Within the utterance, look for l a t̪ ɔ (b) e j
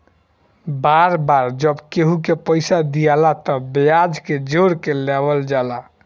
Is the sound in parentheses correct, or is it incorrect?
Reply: correct